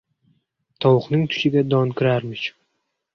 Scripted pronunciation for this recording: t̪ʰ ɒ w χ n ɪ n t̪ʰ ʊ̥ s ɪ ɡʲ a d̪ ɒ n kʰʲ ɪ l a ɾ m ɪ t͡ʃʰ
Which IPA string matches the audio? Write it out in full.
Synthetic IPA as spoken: t̪ʰ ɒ w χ n ɪ ŋ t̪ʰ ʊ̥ ʃ ɪ ɡʲ a d̪ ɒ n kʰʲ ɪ ɾ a ɾ m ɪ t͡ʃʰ